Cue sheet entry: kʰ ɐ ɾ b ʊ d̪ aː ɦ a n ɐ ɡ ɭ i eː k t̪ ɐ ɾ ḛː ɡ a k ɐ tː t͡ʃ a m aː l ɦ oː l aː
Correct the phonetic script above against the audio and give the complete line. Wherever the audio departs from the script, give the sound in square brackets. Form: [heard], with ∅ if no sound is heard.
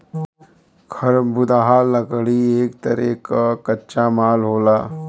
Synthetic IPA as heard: kʰ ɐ ɾ b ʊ d̪ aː ɦ a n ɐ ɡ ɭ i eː k t̪ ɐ ɾ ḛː [k] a k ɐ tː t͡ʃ a m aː l ɦ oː l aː